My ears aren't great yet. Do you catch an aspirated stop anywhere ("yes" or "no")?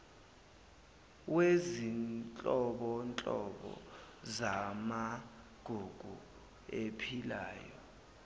yes